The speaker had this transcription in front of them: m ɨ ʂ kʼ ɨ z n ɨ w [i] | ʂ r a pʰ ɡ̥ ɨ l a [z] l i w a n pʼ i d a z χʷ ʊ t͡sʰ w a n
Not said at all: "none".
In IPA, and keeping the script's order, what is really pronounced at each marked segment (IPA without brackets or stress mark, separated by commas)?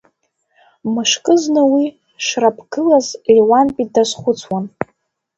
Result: i, z